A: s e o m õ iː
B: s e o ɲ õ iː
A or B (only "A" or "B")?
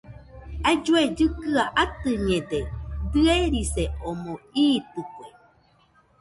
A